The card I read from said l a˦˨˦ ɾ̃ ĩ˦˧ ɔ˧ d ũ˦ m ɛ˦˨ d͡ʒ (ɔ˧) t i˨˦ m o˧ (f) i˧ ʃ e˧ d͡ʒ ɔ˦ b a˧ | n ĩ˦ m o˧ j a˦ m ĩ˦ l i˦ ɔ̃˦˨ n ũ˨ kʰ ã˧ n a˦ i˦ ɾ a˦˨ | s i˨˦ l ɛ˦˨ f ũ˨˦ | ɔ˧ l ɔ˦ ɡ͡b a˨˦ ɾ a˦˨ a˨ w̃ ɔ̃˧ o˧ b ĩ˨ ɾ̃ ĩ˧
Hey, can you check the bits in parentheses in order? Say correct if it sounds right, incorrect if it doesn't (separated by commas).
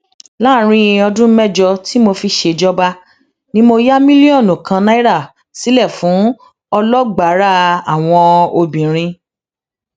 correct, correct